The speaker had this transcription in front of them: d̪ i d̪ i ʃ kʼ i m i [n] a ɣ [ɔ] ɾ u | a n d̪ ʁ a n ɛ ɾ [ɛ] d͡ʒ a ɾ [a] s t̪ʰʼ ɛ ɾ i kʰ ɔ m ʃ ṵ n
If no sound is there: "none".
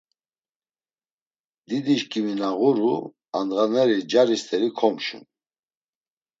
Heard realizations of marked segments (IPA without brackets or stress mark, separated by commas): n, u, i, i